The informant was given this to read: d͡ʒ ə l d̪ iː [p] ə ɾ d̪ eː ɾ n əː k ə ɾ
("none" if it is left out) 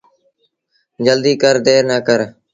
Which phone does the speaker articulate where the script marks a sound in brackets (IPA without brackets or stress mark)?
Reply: k